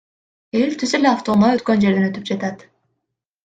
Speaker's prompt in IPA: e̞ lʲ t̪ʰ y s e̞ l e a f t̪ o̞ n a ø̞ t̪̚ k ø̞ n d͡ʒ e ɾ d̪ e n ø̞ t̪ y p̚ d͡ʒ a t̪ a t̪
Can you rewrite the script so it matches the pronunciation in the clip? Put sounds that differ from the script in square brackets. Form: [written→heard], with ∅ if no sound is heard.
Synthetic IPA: e̞ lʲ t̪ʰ y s e̞ l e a f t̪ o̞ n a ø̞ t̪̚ k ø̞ n d͡ʒ e ɾ d̪ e n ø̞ t̪ y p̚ d͡ʒ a t̪ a t̪